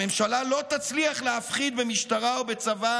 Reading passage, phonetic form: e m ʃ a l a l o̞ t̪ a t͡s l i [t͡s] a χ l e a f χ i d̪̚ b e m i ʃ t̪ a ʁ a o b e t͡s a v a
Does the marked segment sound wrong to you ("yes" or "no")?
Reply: yes